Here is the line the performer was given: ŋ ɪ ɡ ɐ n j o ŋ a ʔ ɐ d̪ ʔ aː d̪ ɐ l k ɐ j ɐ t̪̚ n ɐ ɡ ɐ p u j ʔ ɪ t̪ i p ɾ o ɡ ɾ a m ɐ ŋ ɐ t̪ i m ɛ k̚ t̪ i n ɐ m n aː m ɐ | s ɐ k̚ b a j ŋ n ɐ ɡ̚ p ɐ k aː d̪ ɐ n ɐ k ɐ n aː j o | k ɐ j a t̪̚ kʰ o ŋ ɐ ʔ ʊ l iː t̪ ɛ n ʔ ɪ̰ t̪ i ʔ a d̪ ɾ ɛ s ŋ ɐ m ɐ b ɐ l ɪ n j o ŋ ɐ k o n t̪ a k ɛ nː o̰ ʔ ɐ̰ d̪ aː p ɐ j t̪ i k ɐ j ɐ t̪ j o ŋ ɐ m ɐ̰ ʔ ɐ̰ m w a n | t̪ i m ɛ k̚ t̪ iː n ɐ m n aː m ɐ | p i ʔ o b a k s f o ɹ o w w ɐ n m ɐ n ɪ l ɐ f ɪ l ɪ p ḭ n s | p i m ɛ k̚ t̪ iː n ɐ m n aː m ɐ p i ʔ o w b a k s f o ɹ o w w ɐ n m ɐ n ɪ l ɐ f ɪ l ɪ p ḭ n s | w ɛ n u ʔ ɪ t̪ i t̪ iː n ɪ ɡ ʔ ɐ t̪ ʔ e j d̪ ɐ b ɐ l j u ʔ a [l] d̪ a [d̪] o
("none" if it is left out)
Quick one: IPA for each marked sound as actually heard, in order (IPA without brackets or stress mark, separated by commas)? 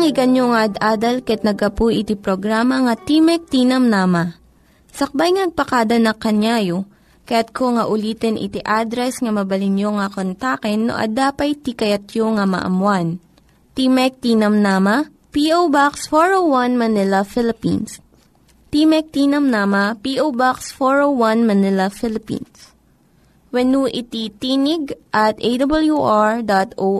ɹ, t̪